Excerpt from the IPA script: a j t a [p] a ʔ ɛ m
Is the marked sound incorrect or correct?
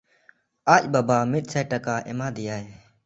incorrect